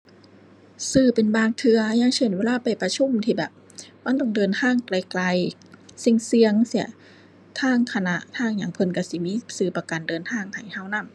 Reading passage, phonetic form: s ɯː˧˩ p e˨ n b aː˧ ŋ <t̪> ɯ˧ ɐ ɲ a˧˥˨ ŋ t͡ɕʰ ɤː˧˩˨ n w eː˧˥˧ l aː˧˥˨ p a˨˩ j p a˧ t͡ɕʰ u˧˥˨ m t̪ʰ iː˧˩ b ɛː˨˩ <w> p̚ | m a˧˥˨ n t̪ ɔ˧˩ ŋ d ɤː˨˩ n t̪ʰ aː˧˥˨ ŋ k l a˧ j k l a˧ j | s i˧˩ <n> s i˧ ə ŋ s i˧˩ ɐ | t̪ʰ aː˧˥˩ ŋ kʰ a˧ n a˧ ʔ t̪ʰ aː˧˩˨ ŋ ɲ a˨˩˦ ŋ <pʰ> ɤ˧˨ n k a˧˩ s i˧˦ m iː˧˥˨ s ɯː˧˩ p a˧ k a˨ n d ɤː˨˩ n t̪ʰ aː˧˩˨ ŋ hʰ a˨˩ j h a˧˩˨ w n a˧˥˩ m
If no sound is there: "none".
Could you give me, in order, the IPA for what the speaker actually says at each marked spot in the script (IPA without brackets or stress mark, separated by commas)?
t̪ʰ, none, ŋ, pʰ